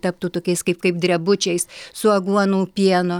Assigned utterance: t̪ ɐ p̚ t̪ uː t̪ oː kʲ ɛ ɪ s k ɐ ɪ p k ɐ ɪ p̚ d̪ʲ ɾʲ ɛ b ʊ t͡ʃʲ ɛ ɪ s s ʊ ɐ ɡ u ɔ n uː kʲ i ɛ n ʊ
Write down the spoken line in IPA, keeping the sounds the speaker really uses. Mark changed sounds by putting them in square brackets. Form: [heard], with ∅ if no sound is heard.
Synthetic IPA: t̪ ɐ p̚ t̪ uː t̪ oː kʲ ɛ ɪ s k ɐ ɪ p k ɐ ɪ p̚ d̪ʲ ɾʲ ɛ b ʊ t͡ʃʲ ɛ ɪ s s ʊ ɐ ɡ u ɔ n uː [pʲ] i ɛ n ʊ